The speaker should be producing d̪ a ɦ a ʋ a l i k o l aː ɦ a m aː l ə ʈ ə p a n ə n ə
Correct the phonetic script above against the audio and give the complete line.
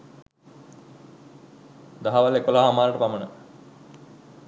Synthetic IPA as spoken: d̪ a ɦ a ʋ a l e k o l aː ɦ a m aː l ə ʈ ə p a m ə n ə